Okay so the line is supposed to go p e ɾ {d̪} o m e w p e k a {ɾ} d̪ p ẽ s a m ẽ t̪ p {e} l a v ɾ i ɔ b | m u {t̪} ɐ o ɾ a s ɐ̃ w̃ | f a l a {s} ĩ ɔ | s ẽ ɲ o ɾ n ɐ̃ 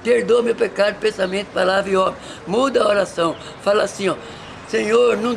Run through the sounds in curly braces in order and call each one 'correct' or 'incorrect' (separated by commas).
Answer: correct, correct, incorrect, incorrect, correct